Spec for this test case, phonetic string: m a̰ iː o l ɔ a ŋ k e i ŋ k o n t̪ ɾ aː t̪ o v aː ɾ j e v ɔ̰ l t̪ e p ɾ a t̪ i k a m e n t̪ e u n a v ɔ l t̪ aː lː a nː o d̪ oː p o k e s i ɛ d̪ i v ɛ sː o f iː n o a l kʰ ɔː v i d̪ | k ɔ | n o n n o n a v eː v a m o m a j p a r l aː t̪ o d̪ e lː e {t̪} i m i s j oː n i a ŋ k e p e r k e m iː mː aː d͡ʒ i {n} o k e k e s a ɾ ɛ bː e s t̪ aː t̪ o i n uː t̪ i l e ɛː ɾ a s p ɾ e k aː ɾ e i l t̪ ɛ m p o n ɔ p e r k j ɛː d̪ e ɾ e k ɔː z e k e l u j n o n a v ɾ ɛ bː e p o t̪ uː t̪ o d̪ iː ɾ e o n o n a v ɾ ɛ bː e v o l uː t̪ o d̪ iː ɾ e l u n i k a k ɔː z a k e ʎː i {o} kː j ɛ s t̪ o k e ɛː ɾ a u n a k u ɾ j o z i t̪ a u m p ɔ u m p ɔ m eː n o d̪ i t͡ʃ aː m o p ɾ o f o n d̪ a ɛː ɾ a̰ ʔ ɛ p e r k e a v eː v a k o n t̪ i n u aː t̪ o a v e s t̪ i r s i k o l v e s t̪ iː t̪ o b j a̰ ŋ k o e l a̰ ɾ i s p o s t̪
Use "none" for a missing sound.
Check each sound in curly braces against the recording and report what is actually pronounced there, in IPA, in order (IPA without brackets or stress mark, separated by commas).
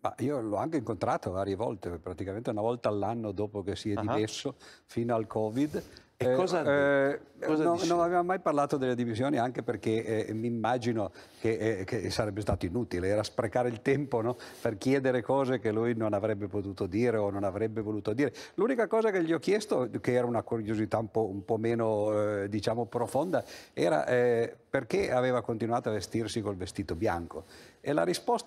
d̪, n, ɔ